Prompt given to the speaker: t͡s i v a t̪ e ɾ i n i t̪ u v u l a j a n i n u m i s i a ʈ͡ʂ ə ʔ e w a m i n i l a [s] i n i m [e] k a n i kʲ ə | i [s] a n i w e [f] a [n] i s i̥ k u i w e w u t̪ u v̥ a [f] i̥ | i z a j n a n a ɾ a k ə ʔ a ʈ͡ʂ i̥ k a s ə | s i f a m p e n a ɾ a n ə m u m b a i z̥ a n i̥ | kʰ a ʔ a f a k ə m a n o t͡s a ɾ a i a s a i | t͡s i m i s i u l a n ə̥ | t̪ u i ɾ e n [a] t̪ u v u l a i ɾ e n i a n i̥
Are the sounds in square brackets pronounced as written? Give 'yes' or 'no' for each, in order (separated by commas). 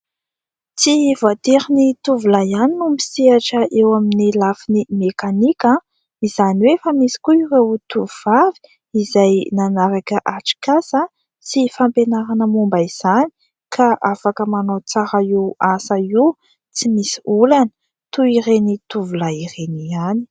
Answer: no, yes, no, yes, no, no, no